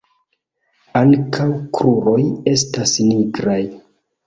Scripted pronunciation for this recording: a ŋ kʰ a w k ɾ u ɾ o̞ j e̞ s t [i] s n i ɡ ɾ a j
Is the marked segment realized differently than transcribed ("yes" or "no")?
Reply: yes